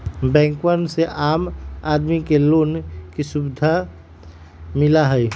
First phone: b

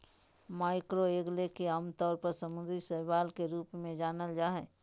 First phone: m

